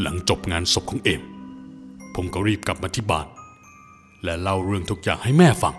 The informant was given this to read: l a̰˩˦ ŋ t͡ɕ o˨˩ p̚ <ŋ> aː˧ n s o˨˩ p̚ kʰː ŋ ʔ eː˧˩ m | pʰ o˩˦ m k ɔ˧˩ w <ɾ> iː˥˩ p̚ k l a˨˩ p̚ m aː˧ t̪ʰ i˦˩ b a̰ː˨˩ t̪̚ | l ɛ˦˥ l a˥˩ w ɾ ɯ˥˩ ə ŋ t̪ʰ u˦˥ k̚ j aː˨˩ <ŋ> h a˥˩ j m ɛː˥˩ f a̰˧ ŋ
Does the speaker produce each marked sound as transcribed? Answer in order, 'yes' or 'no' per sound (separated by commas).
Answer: yes, yes, yes